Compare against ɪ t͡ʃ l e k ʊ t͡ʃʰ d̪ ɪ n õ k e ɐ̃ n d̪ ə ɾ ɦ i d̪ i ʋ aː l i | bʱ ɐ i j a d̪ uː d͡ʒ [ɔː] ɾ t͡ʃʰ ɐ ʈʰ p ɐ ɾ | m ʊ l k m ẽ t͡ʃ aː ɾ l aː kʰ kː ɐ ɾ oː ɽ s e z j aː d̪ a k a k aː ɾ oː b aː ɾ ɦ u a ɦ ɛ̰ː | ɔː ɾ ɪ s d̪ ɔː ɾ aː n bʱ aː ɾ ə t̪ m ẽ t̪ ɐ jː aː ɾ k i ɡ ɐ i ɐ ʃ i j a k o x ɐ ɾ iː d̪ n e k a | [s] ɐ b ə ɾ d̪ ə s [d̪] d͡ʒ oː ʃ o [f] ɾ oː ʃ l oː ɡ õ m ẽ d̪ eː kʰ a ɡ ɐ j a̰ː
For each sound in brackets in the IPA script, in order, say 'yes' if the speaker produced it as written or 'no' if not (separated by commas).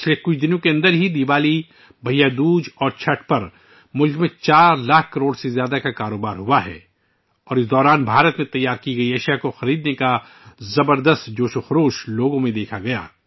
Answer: yes, no, no, no